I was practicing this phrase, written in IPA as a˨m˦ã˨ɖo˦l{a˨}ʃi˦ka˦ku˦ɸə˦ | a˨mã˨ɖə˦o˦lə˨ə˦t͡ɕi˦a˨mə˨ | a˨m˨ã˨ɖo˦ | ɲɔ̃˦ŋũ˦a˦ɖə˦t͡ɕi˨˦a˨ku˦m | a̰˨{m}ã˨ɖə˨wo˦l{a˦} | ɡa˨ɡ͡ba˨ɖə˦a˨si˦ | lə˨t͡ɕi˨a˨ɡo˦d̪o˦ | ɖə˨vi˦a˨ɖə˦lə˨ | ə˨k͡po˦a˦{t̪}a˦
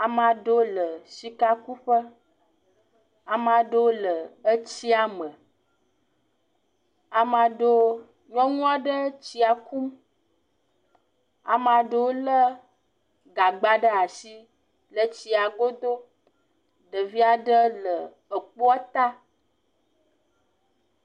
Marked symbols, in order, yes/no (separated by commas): no, yes, no, yes